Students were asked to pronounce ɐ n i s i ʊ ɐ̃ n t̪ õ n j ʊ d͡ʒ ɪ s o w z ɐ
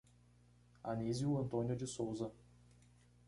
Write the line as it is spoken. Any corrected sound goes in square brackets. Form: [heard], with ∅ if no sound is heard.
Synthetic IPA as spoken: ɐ n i [z] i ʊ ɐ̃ n t̪ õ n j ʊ d͡ʒ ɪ s o w z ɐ